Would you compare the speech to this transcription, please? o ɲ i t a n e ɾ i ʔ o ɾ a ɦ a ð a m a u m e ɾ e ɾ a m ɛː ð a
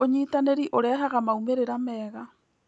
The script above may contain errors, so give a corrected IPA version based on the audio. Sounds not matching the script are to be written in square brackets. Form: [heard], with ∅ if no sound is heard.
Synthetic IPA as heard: o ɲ i t a n e ɾ i ʔ o ɾ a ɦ a [ɣ] a m a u m e ɾ e ɾ a m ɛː [ɣ] a

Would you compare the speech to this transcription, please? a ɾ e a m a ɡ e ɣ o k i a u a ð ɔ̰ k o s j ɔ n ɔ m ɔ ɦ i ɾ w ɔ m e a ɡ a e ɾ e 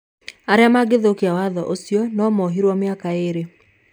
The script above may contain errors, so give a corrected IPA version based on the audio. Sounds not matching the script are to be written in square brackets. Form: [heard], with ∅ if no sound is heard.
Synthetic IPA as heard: a ɾ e a m a ɡ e [ð] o k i a [w] a ð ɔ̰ [ʔ] o s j ɔ n ɔ m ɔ ɦ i ɾ w ɔ m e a [k] a e ɾ e

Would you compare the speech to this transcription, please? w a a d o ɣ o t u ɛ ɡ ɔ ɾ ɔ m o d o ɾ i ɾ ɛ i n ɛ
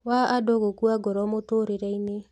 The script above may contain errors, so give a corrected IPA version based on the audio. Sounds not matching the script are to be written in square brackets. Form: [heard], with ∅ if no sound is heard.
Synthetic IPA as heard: w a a d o ɣ o [k] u [a] ɡ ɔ ɾ ɔ m o [t] o ɾ [e] ɾ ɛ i n [e]

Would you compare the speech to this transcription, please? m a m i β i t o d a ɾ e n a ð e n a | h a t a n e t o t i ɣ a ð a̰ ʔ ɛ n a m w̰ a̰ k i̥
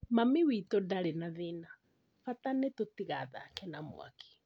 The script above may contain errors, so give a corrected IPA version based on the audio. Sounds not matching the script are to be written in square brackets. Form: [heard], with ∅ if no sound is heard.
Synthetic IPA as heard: m a m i [w] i t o d a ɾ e n a ð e n a | [f] a t a n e t o t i ɣ a ð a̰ [k] ɛ n a m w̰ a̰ k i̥

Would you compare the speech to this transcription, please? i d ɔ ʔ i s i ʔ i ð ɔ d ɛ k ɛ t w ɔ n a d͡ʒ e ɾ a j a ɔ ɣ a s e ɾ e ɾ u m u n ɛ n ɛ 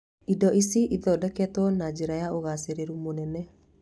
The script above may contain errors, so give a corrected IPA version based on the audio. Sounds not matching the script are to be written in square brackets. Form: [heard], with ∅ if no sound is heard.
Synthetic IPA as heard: i d ɔ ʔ i s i ʔ i ð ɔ d ɛ k ɛ t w ɔ n a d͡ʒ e ɾ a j a [o] ɣ a s e ɾ e ɾ u m [o] n ɛ n ɛ

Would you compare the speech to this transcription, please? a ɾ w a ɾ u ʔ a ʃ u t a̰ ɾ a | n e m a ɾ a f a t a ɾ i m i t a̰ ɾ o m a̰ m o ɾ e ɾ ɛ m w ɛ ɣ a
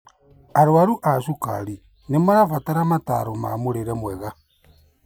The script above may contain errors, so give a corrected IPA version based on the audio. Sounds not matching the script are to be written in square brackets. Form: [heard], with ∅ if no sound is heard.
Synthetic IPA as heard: a ɾ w a ɾ u ʔ a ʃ u [k] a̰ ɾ [i] | n e m a ɾ a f a t a ɾ [a] m [a] t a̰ ɾ o m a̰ m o ɾ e ɾ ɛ m w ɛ ɣ a

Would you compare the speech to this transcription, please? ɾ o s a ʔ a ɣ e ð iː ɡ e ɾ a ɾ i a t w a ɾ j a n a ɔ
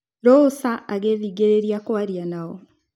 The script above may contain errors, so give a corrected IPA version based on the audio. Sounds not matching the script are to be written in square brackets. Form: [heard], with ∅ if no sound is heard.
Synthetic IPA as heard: ɾ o s a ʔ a ɣ e ð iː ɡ e ɾ [e] ɾ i a [k] w a ɾ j a n a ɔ

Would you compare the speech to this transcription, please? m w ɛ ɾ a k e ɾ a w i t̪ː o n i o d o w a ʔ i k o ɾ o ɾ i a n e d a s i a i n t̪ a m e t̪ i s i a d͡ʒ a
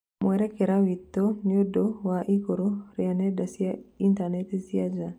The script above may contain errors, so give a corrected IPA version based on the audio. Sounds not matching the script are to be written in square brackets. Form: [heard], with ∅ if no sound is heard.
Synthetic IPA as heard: m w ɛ ɾ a k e ɾ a w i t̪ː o n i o d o w a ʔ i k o ɾ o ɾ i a n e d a s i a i n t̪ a [n] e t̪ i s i a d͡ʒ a

